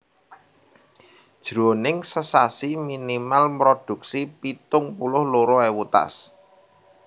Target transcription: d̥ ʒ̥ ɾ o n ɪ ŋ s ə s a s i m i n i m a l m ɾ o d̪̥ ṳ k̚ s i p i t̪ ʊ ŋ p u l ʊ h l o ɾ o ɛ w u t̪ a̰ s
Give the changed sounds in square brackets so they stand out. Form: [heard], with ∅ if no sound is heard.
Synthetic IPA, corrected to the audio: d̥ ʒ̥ ɾ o n ɪ ŋ s ə s a s i m i n i m a l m ɾ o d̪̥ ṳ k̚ s i p i t̪ ʊ ŋ p u l ʊ h l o ɾ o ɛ w u t̪ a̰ s